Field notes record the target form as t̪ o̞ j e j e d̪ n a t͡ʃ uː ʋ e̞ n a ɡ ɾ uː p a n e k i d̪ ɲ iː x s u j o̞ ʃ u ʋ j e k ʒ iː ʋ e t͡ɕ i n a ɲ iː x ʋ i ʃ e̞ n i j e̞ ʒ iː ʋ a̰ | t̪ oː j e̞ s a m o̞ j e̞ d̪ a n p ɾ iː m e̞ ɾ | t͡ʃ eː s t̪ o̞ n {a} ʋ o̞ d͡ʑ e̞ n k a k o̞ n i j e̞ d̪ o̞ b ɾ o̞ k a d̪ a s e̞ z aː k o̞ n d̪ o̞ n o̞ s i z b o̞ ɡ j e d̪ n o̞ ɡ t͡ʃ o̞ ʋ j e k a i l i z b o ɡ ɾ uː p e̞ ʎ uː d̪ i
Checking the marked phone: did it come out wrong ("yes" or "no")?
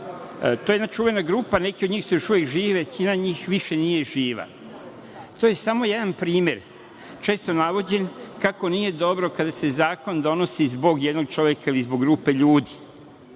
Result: no